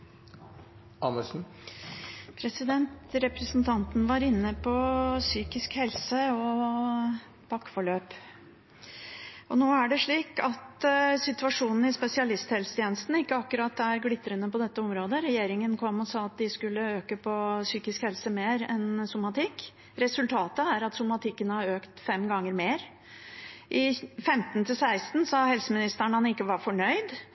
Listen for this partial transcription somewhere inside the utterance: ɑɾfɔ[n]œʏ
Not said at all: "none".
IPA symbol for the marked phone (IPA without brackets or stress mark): ɳ